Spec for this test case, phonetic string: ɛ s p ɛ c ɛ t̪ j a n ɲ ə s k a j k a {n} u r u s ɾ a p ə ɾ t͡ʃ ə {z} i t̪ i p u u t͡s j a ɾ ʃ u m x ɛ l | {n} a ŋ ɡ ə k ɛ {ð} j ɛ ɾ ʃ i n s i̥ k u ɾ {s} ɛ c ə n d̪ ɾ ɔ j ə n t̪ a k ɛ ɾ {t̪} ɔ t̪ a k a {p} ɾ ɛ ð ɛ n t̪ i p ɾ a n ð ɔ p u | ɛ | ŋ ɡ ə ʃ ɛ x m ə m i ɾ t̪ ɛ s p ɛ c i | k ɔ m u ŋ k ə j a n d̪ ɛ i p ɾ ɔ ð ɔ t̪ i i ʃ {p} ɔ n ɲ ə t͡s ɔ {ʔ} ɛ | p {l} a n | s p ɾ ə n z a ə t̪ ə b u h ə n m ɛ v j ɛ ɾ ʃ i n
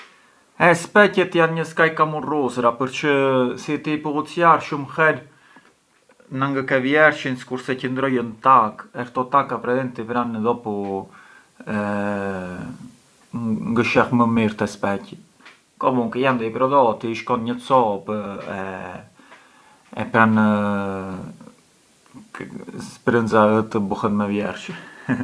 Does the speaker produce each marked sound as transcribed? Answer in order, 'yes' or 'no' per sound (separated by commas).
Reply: no, no, yes, no, yes, yes, yes, no, no, no